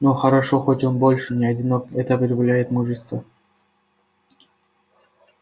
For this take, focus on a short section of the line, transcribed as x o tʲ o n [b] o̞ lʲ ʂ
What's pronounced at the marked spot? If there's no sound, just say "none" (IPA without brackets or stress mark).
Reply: b